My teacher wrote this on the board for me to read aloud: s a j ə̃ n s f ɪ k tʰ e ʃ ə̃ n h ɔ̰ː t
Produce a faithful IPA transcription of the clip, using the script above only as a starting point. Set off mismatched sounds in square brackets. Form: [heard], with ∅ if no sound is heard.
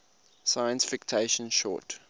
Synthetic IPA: s a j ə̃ n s f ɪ k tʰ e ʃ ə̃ n [ʃ] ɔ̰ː t

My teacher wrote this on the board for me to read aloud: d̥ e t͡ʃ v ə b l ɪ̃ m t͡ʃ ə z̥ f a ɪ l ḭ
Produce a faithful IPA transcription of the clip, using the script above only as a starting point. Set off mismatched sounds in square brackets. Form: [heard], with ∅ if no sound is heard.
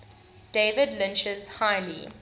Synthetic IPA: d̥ e [∅] v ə [d] l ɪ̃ [n] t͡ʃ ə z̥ [h] a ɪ l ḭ

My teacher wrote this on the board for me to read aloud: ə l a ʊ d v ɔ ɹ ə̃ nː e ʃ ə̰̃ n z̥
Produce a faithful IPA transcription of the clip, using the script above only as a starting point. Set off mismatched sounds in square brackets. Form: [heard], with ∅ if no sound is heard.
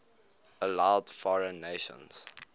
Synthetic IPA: ə l a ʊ d [f] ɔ ɹ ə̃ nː e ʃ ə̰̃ n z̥

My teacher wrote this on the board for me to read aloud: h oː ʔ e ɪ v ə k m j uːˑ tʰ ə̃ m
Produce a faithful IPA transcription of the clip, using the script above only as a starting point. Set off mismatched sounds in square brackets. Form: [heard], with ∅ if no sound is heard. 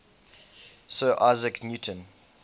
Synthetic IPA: [s] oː ʔ [a] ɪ [z] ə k [n] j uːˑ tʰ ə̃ [n]

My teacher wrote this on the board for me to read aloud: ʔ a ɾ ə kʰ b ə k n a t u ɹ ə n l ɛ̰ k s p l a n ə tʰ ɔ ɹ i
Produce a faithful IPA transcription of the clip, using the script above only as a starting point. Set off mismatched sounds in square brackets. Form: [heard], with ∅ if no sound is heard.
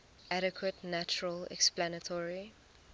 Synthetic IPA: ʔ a ɾ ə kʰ [w] ə [t] n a [t͡ʃ] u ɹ ə [∅] l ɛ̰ k s p l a n ə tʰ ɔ ɹ i

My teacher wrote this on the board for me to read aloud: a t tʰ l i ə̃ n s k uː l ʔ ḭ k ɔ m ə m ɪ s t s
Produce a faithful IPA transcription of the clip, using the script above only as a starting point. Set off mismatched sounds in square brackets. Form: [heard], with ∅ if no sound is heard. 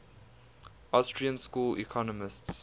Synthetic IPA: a [s] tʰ [ɹ] i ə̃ n s k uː l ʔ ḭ [kʰ] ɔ [n] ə m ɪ s t s

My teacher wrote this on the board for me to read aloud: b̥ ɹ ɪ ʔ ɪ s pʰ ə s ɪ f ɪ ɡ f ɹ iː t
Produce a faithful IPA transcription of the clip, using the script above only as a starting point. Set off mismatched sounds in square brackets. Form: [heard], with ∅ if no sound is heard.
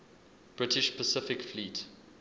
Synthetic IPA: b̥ ɹ ɪ [t] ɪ [ʃ] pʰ ə s ɪ f ɪ [k] f [l] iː t

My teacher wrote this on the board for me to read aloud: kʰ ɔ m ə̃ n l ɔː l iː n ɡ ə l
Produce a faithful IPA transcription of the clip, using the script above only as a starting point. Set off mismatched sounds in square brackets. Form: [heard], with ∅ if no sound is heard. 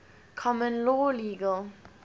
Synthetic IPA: kʰ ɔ m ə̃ n l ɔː l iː [∅] ɡ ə l

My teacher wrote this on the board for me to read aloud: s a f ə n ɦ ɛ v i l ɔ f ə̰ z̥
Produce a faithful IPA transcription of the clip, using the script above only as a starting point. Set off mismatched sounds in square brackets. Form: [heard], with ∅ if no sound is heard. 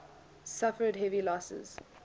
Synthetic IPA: s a f ə [d] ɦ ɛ v i l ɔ [s] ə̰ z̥

